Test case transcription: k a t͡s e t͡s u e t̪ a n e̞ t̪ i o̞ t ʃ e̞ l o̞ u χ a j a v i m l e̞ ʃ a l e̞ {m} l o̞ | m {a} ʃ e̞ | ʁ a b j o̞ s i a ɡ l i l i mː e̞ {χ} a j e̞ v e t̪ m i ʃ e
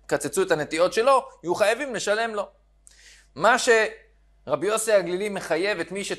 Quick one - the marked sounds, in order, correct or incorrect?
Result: correct, correct, correct

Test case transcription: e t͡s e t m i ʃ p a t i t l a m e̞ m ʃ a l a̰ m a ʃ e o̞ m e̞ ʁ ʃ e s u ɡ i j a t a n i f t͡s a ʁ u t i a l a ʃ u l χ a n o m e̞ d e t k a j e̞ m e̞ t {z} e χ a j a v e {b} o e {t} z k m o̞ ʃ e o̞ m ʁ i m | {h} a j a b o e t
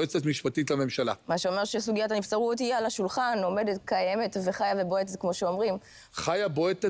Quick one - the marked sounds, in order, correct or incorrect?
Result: incorrect: v, correct, correct, incorrect: χ

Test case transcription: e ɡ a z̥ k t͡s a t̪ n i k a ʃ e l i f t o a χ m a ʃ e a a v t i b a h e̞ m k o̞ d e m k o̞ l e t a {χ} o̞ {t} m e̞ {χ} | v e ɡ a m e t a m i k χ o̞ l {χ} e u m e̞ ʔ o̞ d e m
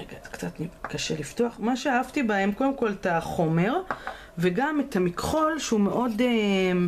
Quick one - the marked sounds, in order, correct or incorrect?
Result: correct, incorrect: none, incorrect: ʁ, incorrect: ʃ

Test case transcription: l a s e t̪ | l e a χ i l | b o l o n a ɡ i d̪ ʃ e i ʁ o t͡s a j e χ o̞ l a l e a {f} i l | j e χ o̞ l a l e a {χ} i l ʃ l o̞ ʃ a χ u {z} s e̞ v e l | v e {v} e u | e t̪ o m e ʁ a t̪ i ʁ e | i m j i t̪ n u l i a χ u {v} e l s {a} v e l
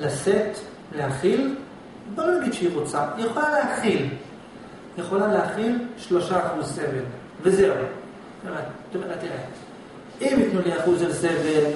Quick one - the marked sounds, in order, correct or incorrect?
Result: incorrect: χ, correct, correct, incorrect: z, incorrect: z, incorrect: e

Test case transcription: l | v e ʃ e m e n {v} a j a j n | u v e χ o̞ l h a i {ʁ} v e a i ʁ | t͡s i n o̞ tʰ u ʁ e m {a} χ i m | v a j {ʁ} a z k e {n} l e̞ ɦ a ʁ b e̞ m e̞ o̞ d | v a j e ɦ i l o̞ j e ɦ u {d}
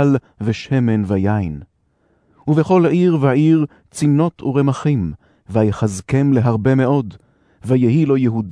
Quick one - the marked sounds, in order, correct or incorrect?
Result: correct, correct, correct, incorrect: χ, incorrect: m, correct

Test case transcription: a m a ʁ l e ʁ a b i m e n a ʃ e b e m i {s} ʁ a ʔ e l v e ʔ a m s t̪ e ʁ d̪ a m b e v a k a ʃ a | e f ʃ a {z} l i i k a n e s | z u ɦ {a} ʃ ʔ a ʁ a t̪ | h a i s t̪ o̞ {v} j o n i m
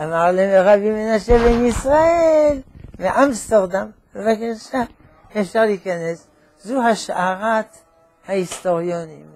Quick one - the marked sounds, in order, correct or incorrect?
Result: correct, incorrect: ʁ, correct, incorrect: ʁ

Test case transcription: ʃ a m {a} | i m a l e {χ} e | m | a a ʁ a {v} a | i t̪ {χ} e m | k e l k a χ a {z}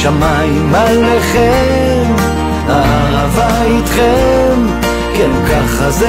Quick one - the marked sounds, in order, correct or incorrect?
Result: correct, correct, correct, correct, correct

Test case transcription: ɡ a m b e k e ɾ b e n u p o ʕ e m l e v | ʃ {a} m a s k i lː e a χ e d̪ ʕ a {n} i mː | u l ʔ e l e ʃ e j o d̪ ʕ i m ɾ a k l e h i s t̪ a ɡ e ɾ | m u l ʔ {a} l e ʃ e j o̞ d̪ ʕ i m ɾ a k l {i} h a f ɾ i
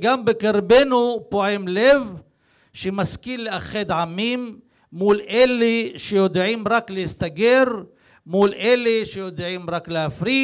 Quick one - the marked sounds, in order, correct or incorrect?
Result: incorrect: e, incorrect: m, incorrect: e, incorrect: e

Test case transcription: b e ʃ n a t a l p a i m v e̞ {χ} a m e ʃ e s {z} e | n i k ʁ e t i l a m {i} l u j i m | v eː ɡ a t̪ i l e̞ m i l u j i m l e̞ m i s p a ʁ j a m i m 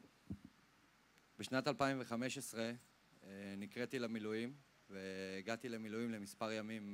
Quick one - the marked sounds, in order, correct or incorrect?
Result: correct, incorrect: ʁ, correct

